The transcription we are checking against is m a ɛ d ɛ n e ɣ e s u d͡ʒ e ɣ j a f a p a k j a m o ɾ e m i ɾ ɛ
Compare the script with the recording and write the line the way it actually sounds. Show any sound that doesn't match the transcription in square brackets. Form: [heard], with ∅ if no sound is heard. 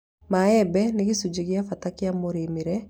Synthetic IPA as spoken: m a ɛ [b] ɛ n e ɣ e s u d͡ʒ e ɣ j a f a [t] a k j a m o ɾ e m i ɾ ɛ